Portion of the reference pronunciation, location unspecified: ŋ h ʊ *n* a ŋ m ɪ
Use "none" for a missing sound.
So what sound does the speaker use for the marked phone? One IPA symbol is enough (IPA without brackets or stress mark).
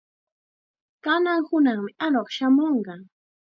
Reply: n